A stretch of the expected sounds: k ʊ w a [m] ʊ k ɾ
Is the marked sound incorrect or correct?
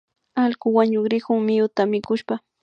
incorrect